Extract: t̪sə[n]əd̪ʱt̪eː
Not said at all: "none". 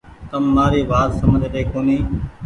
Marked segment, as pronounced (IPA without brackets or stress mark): m